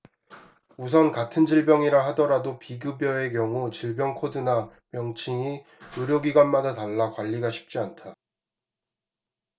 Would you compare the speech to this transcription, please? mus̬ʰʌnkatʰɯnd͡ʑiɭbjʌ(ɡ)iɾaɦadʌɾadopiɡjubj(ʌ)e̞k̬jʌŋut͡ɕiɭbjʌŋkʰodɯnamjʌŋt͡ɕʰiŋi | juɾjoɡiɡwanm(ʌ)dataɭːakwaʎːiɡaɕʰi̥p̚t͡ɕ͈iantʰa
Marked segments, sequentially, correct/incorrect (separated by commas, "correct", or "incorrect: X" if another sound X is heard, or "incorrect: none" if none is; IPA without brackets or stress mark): incorrect: ŋ, correct, incorrect: a